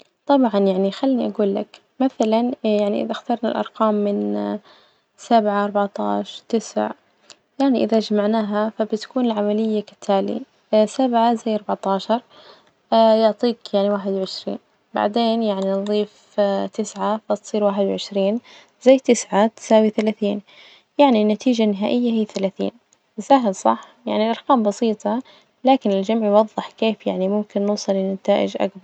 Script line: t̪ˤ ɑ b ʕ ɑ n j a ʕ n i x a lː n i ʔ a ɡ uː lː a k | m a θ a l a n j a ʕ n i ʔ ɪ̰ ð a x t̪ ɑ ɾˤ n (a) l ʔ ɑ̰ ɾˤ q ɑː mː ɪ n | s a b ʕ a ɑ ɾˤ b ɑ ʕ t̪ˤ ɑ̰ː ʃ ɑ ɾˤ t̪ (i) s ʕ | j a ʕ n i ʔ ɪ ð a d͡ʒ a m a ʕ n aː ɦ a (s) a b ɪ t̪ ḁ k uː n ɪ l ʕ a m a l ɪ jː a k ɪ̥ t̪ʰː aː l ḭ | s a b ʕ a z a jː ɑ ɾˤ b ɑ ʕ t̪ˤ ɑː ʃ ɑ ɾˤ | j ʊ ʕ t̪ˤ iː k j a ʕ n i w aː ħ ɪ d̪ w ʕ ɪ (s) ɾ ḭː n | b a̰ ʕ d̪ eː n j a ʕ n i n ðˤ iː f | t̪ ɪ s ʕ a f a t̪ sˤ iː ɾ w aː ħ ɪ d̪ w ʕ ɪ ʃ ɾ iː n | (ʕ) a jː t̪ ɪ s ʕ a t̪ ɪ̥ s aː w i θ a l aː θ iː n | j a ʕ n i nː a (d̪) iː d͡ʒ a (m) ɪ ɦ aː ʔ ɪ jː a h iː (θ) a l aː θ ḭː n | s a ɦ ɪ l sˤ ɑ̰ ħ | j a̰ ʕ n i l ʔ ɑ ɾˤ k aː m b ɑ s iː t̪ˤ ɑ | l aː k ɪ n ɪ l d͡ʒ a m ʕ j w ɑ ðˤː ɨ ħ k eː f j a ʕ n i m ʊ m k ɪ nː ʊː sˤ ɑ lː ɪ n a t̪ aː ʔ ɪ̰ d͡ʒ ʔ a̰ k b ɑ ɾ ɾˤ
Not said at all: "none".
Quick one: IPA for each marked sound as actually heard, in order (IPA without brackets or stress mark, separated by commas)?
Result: a, ɪ, f, ʃ, z, t̪, n, θ